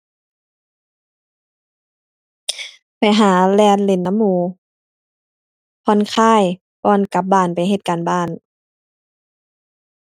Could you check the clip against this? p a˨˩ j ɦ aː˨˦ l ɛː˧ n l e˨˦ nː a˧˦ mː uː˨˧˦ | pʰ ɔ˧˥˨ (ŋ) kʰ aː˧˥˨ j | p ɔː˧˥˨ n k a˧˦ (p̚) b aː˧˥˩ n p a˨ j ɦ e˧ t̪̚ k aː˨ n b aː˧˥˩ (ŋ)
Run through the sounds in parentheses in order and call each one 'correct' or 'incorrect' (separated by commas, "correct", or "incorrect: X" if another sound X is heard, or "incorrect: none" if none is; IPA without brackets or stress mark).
incorrect: n, correct, incorrect: n